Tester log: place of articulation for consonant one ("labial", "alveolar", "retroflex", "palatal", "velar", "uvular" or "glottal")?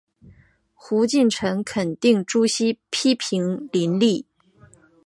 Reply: velar